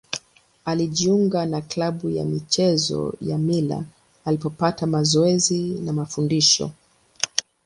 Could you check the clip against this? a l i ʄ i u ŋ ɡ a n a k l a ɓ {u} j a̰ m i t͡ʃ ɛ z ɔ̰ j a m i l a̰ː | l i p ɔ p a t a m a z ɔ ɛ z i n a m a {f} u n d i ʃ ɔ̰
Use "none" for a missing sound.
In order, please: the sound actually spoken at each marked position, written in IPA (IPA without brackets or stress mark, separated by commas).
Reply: u, f